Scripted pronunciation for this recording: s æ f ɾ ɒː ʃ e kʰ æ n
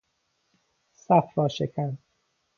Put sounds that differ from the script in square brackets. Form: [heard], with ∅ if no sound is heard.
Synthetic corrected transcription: s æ f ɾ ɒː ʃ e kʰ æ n